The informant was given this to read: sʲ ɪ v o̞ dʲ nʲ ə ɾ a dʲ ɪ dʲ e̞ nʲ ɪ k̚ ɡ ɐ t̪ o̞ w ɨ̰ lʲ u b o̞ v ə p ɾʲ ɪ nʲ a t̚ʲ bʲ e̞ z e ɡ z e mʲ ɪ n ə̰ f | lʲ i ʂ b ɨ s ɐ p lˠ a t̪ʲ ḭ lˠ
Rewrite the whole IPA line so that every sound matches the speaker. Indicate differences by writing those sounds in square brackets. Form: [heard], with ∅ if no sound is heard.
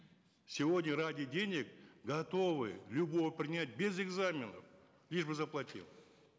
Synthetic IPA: sʲ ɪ v o̞ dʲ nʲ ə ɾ a dʲ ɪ dʲ e̞ nʲ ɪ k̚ ɡ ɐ t̪ o̞ [v] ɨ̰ lʲ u b o̞ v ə p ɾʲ ɪ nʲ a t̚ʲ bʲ e̞ z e ɡ z [a] mʲ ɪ n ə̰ f | lʲ i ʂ b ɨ [z] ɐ p lˠ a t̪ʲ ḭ lˠ